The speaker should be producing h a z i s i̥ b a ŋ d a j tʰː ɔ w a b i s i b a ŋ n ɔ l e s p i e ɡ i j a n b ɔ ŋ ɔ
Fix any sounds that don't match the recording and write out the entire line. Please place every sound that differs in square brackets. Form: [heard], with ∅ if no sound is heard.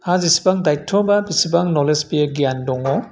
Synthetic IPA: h a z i s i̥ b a ŋ d a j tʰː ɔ [b] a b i s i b a ŋ n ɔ l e s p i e ɡ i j a n [d] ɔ ŋ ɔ